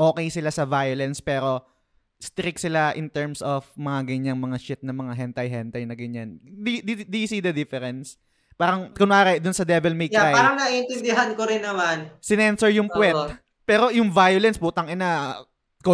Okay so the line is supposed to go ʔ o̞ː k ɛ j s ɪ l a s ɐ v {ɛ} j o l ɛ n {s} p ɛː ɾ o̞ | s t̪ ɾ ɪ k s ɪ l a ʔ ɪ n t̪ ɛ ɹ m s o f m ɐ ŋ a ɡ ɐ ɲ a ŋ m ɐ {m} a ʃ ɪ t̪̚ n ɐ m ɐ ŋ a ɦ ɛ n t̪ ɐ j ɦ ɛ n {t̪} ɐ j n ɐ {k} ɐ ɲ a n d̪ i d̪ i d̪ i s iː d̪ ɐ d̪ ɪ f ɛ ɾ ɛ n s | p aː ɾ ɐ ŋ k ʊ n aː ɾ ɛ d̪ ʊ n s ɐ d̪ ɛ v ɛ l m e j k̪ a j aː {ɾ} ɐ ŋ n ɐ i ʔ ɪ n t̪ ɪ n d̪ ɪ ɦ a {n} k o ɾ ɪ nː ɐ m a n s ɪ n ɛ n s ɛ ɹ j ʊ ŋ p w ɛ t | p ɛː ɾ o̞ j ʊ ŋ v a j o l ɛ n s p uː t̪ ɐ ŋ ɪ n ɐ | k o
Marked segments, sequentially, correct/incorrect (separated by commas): incorrect, correct, incorrect, correct, incorrect, correct, correct